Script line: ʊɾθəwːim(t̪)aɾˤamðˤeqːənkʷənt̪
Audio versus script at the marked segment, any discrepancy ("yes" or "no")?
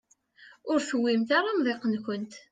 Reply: no